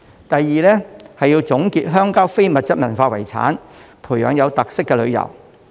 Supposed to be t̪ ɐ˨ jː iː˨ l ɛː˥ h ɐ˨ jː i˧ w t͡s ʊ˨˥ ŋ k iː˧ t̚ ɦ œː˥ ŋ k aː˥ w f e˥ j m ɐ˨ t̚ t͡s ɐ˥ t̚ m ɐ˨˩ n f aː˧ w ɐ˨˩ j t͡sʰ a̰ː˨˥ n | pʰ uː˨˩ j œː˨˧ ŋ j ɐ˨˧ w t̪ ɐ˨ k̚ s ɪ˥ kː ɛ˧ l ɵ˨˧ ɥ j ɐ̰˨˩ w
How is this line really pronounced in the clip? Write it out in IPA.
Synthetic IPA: t̪ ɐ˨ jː iː˨ l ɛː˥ h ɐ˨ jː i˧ w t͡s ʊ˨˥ ŋ k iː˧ t̚ ɦ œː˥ ŋ k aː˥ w f e˥ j m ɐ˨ t̚ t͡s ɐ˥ t̚ m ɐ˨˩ n f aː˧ w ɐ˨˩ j t͡sʰ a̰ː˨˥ n | pʰ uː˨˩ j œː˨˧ ŋ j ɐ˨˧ w t̪ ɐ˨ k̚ s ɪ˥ kː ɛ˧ l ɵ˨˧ ɥ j ɐ̰˨˩ w